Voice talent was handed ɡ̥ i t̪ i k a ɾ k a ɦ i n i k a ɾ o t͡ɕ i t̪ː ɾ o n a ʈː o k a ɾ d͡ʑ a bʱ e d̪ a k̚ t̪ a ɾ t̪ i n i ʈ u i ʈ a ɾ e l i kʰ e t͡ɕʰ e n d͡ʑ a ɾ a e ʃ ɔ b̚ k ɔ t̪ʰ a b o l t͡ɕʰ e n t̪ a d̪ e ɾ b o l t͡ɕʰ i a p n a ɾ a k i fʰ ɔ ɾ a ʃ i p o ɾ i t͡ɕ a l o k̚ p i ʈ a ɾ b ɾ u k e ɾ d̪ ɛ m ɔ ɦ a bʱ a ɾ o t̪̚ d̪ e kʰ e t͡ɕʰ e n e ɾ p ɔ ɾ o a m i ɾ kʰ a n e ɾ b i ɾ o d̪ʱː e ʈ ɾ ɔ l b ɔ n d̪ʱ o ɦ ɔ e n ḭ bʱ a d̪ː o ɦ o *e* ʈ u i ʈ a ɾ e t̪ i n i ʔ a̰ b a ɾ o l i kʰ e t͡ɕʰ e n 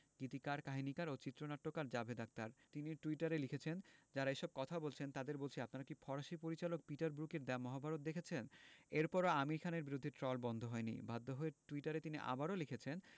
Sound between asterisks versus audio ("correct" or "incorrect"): correct